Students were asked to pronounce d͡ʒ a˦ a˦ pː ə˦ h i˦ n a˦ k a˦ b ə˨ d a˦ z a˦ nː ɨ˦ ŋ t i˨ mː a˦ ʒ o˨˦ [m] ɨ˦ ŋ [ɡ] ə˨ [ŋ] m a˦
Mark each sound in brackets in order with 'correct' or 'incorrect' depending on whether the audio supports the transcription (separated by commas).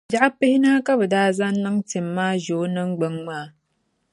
incorrect, incorrect, correct